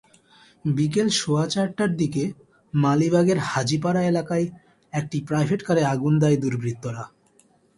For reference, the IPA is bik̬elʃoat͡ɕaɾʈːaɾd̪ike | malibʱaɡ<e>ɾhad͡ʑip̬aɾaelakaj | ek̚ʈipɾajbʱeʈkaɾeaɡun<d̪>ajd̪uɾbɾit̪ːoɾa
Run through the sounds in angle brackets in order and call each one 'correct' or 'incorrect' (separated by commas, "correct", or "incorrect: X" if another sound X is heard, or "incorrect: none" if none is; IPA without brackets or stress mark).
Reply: correct, correct